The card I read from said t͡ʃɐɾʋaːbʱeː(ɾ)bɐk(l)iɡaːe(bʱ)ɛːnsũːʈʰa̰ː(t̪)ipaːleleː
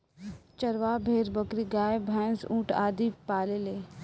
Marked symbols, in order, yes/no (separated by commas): yes, no, yes, no